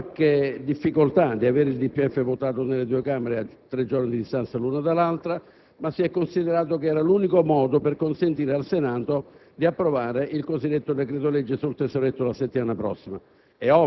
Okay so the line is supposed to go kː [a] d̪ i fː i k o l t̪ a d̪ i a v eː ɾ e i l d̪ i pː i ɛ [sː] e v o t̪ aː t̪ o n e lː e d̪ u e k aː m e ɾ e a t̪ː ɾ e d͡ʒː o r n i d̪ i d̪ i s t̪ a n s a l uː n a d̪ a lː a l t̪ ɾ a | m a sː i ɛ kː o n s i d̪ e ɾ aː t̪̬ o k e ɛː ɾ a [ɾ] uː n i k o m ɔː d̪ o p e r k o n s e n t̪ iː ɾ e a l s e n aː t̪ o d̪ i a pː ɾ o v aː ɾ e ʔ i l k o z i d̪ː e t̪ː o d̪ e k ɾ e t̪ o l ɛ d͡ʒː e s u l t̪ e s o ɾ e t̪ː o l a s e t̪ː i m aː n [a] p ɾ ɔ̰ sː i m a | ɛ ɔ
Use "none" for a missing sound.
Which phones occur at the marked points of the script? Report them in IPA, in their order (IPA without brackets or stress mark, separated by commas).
e, fː, l, a